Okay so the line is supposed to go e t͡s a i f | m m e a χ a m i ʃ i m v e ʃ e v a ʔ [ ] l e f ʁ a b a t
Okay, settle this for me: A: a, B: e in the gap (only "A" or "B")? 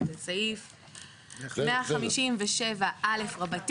A